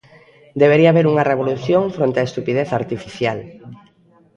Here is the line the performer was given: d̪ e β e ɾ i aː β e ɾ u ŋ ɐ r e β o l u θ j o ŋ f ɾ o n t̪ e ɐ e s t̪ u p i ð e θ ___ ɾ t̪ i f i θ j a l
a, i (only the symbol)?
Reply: a